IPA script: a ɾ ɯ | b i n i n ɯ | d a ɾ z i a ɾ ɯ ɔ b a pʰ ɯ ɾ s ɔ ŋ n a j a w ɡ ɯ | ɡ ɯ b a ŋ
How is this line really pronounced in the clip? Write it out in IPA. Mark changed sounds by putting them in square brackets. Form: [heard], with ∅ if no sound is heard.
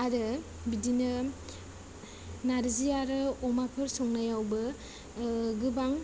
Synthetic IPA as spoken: a ɾ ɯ | b i [d] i n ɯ | [n] a ɾ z i a ɾ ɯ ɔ [m] a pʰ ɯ ɾ s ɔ ŋ n a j a w [b] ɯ | ɡ ɯ b a ŋ